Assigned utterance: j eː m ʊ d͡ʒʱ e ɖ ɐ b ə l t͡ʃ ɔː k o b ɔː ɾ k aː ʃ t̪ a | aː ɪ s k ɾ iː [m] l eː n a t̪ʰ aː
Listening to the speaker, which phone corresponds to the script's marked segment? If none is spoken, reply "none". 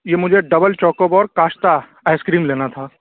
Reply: m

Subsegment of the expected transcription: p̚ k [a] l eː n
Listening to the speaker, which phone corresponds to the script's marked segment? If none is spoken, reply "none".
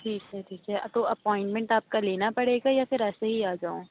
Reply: a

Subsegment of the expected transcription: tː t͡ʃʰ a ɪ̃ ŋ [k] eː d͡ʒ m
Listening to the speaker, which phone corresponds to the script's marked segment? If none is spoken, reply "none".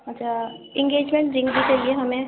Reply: ɡ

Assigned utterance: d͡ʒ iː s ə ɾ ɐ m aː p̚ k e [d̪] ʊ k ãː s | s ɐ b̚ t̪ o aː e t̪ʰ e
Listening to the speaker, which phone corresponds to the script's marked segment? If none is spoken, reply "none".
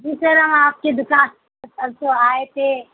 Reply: d̪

